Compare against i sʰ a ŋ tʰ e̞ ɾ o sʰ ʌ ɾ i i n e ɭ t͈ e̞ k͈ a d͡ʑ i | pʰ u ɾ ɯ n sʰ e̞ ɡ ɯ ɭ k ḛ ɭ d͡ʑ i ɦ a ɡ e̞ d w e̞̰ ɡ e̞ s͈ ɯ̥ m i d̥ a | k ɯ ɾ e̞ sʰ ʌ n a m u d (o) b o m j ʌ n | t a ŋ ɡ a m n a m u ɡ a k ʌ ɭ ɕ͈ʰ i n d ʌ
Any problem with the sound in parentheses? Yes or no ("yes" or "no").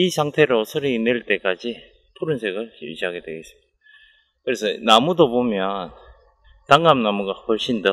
no